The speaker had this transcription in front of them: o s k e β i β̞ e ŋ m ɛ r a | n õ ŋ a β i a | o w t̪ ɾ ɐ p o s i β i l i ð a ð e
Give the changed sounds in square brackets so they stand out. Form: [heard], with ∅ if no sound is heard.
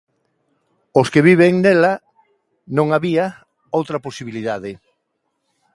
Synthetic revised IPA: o s k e β i β̞ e ŋ [n] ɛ [l] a | n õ ŋ a β i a | o w t̪ ɾ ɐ p o s i β i l i ð a ð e